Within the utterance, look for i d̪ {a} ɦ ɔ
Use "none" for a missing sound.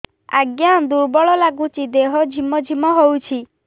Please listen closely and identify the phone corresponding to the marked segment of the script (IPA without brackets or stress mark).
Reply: e